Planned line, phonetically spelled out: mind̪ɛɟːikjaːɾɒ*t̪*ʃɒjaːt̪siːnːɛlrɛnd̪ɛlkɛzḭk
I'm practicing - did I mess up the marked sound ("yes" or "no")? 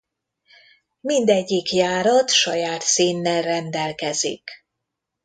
no